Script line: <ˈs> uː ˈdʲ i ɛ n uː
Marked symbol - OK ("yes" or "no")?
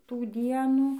no